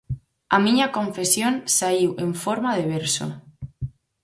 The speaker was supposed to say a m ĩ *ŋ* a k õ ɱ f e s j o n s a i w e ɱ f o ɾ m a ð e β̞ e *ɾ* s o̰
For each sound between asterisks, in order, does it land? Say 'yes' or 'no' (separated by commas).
no, yes